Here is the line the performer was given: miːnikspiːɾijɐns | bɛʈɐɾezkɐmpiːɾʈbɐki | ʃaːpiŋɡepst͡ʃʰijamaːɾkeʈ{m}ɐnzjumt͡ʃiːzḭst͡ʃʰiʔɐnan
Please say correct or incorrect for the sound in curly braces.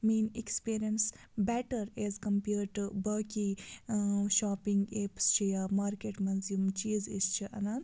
correct